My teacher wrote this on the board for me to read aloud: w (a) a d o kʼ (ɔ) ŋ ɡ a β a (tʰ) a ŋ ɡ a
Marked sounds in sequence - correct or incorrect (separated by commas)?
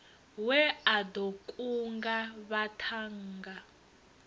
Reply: incorrect, incorrect, correct